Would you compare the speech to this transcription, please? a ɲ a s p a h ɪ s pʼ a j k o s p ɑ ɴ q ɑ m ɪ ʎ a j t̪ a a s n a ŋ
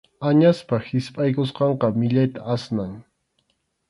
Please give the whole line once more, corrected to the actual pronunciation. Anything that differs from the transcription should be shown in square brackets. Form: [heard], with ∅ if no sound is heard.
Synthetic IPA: a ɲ a s p a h ɪ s pʼ a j k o s [q] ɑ ɴ q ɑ m ɪ ʎ a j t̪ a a s n a ŋ

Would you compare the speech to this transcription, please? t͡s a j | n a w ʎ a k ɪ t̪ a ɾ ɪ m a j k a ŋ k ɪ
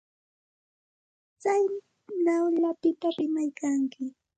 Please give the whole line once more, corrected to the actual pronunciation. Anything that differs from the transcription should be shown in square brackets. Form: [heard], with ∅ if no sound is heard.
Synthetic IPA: t͡s a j | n a w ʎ a [p] ɪ t̪ a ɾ ɪ m a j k a ŋ k ɪ

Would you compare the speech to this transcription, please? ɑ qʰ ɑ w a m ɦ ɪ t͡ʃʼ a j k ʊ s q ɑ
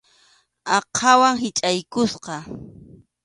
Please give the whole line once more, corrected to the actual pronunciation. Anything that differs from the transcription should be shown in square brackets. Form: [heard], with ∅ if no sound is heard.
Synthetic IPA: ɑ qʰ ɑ w a [ŋ] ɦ ɪ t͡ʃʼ a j k ʊ s q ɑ

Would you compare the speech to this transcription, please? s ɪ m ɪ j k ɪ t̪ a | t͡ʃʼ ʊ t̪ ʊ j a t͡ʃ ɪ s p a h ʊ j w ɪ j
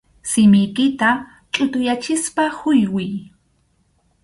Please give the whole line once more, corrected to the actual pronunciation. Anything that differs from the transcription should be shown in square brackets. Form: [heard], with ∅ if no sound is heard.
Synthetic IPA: s ɪ m ɪ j k ɪ t̪ a | t͡ʃʼ ʊ t̪ ʊ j a t͡ʃ ɪ s p a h ʊ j w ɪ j

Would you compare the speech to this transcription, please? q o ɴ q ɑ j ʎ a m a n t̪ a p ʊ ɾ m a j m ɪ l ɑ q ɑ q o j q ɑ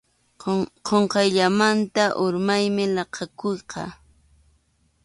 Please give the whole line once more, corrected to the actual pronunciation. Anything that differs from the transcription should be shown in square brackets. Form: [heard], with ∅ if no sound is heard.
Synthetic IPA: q o ɴ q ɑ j ʎ a m a n t̪ a [ʔ] ʊ ɾ m a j m ɪ l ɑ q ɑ [k] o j q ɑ

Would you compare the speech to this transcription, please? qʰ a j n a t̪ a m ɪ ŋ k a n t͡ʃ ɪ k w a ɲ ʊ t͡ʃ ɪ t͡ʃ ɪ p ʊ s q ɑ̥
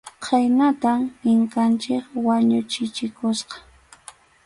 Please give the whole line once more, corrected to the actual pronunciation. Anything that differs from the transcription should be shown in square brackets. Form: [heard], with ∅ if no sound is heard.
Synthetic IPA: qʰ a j n a t̪ a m ɪ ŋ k a n t͡ʃ ɪ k w a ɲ ʊ t͡ʃ ɪ t͡ʃ ɪ [k] ʊ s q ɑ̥

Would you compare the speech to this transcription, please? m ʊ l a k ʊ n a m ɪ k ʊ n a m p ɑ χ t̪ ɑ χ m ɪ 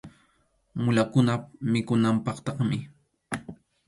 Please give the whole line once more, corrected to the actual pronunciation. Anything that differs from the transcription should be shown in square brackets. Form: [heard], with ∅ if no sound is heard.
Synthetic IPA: m ʊ l a k ʊ n a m ɪ k ʊ n a m p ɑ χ t̪ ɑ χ m ɪ

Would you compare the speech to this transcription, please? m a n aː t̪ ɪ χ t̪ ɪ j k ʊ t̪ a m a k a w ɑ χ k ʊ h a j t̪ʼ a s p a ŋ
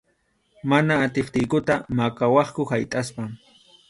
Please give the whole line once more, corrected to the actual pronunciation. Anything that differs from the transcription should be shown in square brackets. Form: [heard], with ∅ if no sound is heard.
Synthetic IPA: m a n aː t̪ ɪ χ t̪ ɪ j k ʊ t̪ a m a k a w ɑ χ k ʊ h a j t̪ʼ a s p a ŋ

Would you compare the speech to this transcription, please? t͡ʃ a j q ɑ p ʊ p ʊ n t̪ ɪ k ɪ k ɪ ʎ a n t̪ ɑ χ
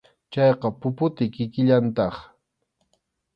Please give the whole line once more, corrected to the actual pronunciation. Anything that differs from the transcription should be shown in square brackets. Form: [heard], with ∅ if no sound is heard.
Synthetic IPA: t͡ʃ [ɑ] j q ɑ p ʊ p ʊ [∅] t̪ ɪ k ɪ k ɪ ʎ a n t̪ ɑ χ

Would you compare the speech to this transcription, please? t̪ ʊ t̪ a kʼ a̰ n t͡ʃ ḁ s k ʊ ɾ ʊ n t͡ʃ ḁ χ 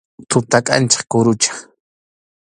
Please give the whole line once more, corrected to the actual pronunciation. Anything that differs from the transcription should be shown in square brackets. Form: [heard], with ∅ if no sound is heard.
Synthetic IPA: t̪ ʊ t̪ a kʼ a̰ n t͡ʃ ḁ [χ] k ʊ ɾ ʊ [∅] t͡ʃ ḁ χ

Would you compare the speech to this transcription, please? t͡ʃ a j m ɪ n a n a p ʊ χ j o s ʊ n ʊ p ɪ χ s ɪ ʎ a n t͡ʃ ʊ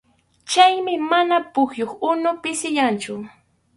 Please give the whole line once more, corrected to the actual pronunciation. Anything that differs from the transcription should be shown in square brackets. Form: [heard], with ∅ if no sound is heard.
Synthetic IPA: t͡ʃ a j m ɪ [m] a n a p ʊ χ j o [χ] ʊ n ʊ p ɪ [∅] s ɪ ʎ a n t͡ʃ ʊ

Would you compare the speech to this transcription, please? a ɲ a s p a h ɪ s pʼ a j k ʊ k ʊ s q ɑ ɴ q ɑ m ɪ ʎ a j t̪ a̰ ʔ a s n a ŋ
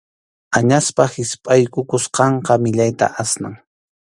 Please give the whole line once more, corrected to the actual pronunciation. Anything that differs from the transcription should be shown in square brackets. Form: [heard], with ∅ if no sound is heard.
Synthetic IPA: a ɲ a s p a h ɪ s pʼ a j k ʊ k ʊ s q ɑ ɴ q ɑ m ɪ ʎ a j t̪ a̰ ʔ a s n a ŋ

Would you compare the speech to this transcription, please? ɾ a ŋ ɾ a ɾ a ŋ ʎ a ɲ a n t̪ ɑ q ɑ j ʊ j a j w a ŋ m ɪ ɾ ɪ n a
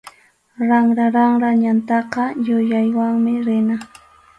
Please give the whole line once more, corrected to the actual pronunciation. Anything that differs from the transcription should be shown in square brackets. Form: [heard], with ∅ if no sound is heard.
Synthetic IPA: ɾ a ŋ ɾ a ɾ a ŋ [ɾ] a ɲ a n t̪ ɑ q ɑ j ʊ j a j w a ŋ m ɪ ɾ ɪ n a

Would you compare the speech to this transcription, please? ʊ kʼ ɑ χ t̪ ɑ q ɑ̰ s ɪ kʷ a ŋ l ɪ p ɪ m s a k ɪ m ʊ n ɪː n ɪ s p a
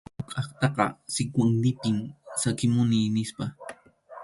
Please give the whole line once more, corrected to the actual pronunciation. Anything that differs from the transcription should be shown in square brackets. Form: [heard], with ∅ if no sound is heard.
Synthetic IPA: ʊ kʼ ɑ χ t̪ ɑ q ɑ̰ s ɪ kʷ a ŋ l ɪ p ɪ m s a k ɪ m ʊ n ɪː n ɪ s p a

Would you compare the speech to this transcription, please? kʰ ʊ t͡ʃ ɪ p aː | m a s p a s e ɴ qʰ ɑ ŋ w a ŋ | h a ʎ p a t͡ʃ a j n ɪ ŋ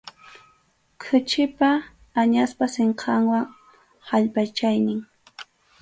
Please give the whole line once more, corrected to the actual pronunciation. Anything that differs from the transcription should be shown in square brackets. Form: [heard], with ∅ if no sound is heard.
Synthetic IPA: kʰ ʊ t͡ʃ ɪ p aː | [ɲ] a s p a s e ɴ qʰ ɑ ŋ w a ŋ | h a ʎ p a t͡ʃ a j n ɪ ŋ

